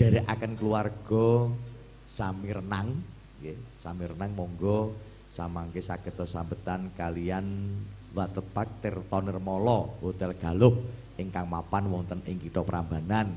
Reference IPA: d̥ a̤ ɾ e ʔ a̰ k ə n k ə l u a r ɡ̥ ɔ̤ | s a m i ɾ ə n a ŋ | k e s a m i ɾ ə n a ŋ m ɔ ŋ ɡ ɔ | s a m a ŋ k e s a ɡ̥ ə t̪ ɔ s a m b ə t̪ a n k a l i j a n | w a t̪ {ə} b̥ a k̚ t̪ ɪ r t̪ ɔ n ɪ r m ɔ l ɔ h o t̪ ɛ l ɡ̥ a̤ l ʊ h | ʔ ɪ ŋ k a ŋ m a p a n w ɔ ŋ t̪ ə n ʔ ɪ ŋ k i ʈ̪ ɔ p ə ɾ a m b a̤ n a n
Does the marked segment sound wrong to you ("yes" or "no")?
no